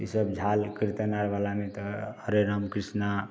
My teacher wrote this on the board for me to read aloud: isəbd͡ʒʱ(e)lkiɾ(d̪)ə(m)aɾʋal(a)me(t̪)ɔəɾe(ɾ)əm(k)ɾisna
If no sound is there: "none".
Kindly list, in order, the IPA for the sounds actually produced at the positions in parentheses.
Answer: a, t̪, n, a, t̪, ɾ, k

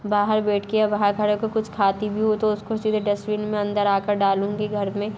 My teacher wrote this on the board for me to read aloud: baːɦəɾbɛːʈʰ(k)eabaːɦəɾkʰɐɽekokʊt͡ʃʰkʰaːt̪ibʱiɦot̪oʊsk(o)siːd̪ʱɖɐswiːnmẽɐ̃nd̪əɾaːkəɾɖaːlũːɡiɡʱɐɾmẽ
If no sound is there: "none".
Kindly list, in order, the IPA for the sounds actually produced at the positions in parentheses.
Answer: k, o

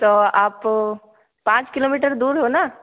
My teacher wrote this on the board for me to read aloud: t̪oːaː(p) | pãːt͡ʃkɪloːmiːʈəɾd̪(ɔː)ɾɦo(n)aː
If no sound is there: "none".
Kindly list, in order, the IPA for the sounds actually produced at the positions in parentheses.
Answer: p, uː, n

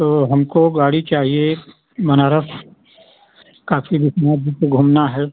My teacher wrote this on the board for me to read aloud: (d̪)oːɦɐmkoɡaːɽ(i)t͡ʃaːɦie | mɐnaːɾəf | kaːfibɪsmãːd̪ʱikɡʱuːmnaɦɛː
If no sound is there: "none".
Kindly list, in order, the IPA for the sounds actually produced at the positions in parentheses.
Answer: t̪, i

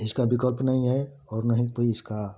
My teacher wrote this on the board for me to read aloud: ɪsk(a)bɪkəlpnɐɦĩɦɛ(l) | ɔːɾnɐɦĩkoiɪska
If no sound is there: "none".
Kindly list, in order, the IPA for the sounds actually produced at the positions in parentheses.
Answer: a, none

